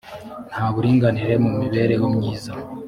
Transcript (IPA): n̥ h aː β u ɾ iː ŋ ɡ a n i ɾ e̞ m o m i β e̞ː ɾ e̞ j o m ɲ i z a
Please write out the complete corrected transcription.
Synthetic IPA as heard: n̥ h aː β u ɾ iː ŋ ɡ a n i ɾ e̞ m u m i β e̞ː ɾ e̞ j o m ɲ iː z a